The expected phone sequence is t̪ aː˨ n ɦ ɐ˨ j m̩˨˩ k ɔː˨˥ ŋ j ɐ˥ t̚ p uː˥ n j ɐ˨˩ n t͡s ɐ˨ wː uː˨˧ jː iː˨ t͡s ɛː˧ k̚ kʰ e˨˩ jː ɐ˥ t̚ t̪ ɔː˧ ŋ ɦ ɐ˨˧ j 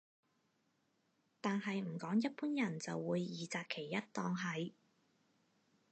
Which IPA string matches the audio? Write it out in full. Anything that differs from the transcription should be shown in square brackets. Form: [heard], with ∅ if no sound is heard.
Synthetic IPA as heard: t̪ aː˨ n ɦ ɐ˨ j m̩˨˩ k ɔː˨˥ ŋ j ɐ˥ t̚ p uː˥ n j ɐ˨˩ n t͡s ɐ˨ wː uː˨˧ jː iː˨ t͡s [aː˧] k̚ kʰ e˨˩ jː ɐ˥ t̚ t̪ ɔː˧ ŋ ɦ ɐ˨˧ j